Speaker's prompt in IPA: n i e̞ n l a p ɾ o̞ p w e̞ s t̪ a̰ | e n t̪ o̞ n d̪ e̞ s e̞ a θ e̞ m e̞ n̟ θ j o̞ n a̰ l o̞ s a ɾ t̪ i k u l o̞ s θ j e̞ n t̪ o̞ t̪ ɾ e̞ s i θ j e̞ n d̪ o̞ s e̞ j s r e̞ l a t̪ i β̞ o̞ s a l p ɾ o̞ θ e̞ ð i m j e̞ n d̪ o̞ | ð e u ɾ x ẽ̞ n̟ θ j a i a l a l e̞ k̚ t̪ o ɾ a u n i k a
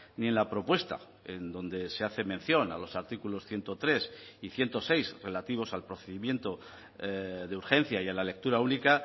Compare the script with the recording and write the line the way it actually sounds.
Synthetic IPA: n i e̞ n l a p ɾ o̞ p w e̞ s t̪ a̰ | e n d̪ o̞ n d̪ e̞ s e̞ a θ e̞ m e̞ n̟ θ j o̞ n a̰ l o̞ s a ɾ t̪ i k u l o̞ s θ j e̞ n t̪ o̞ t̪ ɾ e̞ s i θ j e̞ n t̪ o̞ s e̞ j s r e̞ l a t̪ i β̞ o̞ s a l p ɾ o̞ θ e̞ ð i m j e̞ n t̪ o̞ | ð e u ɾ x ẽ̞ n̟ θ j a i a l a l e̞ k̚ t̪ u ɾ a u n i k a

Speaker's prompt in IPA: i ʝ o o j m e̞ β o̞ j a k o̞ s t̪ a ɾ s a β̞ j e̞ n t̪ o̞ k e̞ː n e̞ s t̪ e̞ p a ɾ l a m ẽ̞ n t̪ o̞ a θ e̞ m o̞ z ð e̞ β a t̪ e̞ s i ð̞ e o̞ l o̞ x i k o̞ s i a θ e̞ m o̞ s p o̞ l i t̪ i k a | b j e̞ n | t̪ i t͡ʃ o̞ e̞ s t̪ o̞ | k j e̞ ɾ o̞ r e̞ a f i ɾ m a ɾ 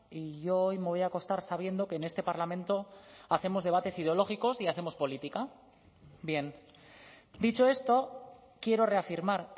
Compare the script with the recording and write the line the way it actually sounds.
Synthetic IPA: i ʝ o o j m e̞ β o̞ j a k o̞ s t̪ a ɾ s a β̞ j e̞ n d̪ o̞ k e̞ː n e̞ s t̪ e̞ p a ɾ l a m ẽ̞ n t̪ o̞ a θ e̞ m o̞ z ð e̞ β a t̪ e̞ s i ð̞ e o̞ l o̞ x i k o̞ s i a θ e̞ m o̞ s p o̞ l i t̪ i k a | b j e̞ n | d̪ i t͡ʃ o̞ e̞ s t̪ o̞ | k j e̞ ɾ o̞ r e̞ a f i ɾ m a ɾ

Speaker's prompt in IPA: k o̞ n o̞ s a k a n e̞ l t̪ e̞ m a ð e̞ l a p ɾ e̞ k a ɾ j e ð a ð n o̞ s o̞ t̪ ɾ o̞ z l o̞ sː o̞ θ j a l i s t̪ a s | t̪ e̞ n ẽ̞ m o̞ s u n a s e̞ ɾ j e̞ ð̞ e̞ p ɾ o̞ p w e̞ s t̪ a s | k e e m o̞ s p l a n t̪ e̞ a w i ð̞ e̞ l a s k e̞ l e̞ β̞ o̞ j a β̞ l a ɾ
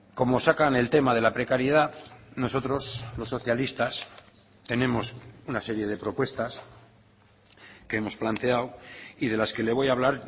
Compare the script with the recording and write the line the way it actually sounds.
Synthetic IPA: k o̞ m o̞ s a k a n e̞ l t̪ e̞ m a ð e̞ l a p ɾ e̞ k a ɾ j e ð a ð n o̞ s o̞ t̪ ɾ o̞ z l o̞ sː o̞ θ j a l i s t̪ a s | t̪ e̞ n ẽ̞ m o̞ s u n a s e̞ ɾ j e̞ ð̞ e̞ p ɾ o̞ p w e̞ s t̪ a s | k e e m o̞ s p l a n t̪ e̞ a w i ð̞ e̞ l a s k e̞ l e̞ β̞ o̞ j a β̞ l a ɾ

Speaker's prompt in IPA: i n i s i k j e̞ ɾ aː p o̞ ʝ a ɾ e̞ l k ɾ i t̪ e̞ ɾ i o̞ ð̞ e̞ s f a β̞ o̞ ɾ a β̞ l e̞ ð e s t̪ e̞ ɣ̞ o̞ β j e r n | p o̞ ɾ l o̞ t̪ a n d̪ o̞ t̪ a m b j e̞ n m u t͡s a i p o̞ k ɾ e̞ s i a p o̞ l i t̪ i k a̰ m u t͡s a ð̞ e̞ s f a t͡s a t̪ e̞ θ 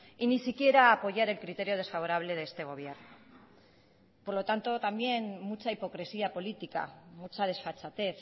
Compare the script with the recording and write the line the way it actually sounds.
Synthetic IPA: i n i s i k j e̞ ɾ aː p o̞ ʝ a ɾ e̞ l k ɾ i t̪ e̞ ɾ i o̞ ð̞ e̞ s f a β̞ o̞ ɾ a β̞ l e̞ ð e s t̪ e̞ ɣ̞ o̞ β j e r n | p o̞ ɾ l o̞ t̪ a n t̪ o̞ t̪ a m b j e̞ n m u t͡s a i p o̞ k ɾ e̞ s i a p o̞ l i t̪ i k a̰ m u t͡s a ð̞ e̞ s f a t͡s a t̪ e̞ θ

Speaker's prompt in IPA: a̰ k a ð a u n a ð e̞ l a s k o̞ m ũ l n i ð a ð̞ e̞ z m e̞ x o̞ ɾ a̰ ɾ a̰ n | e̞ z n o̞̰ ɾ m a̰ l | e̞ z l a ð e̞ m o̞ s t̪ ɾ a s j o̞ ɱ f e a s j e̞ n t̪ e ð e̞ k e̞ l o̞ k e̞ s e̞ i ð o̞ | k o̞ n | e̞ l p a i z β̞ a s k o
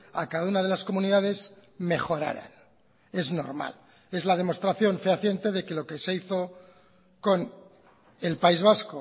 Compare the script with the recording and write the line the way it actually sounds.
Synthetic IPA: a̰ k a ð a u n a ð e̞ l a s k o̞ m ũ n i ð a ð̞ e̞ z m e̞ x o̞ ɾ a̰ ɾ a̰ n | e̞ z n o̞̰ ɾ m a̰ l | e̞ z l a ð e̞ m o̞ s t̪ ɾ a θ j o̞ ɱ f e a θ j e̞ n t̪ e ð e̞ k e̞ l o̞ k e̞ s e̞ i θ o̞ | k o̞ n | e̞ l p a i z β̞ a s k o

